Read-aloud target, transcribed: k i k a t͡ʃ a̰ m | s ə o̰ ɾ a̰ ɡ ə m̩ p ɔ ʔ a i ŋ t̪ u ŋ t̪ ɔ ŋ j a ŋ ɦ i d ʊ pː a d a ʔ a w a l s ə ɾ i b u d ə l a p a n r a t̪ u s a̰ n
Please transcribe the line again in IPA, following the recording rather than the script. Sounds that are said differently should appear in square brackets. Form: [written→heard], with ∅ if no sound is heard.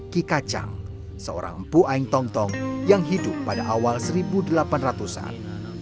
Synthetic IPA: k i k a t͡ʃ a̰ [m→ŋ] | s ə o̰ ɾ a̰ [ɡ→ŋ] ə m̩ p [ɔ→u] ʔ a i ŋ t̪ [u→ɔ] ŋ t̪ ɔ ŋ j a ŋ ɦ i d ʊ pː a d a ʔ a w a l s ə ɾ i b u d ə l a p a n r a t̪ u s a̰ n